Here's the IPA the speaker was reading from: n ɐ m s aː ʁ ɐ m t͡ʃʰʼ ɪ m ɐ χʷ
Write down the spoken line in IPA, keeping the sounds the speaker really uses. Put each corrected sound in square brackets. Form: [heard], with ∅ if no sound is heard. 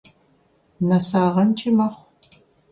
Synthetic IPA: n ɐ [∅] s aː ʁ ɐ [n] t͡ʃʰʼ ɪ m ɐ χʷ